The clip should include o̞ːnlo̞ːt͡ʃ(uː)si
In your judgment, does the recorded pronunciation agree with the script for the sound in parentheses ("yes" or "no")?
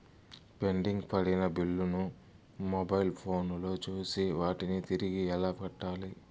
yes